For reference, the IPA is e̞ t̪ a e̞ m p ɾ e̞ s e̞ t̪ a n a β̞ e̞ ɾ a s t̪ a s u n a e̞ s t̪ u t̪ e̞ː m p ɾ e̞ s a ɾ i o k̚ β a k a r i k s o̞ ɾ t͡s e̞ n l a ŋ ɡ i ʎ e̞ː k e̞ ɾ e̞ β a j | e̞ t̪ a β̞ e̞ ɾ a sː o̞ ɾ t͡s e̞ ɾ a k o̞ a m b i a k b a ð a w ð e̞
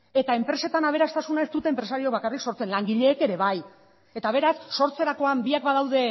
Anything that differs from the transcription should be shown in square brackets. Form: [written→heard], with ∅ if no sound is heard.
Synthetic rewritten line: e̞ t̪ a e̞ m p ɾ e̞ s e̞ t̪ a n a β̞ e̞ ɾ a s t̪ a s u n a e̞ s t̪ u t̪ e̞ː m p ɾ e̞ s a ɾ i o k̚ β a k a r i k s o̞ ɾ t͡s e̞ n l a ŋ ɡ i ʎ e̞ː k e̞ ɾ e̞ β a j | e̞ t̪ a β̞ e̞ ɾ a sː o̞ ɾ t͡s e̞ ɾ a k o̞ a m b i a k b a ð a w ð e̞